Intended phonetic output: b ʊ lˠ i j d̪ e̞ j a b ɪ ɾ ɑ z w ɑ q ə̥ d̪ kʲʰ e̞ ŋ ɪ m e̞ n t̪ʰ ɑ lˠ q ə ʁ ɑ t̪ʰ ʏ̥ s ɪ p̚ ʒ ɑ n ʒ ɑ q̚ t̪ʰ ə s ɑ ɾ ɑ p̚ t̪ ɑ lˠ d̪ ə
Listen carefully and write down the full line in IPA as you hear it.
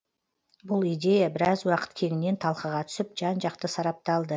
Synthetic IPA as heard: b ʊ lˠ i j d̪ e̞ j a b ɪ ɾ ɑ z w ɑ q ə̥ t̪ kʲʰ e̞ ŋ ɪ n e̞ n t̪ʰ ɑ lˠ q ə ʁ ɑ t̪ʰ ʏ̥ s ɪ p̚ ʒ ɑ n ʒ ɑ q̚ t̪ ə s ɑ ɾ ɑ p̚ t̪ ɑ lˠ d̪ ə